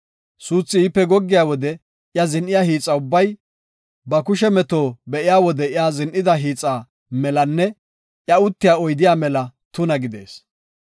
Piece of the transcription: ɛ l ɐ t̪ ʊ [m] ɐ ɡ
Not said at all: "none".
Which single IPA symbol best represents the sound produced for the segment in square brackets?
n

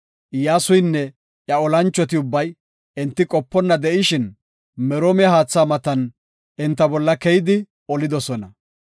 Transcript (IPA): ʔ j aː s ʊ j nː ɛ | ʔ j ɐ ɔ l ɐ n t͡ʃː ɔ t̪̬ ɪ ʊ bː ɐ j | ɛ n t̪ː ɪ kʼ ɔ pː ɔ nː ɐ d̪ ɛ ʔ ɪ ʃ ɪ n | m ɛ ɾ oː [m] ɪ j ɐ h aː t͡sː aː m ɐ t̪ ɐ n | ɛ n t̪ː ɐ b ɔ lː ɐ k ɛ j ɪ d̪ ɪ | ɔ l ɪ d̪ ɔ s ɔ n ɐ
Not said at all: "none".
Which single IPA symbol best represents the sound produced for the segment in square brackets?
m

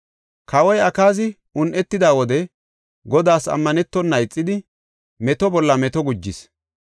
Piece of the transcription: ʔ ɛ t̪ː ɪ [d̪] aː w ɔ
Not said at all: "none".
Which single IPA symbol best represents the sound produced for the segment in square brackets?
d̪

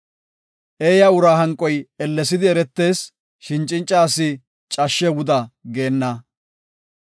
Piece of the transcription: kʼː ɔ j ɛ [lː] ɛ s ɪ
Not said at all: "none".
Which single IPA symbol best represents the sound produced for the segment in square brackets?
lː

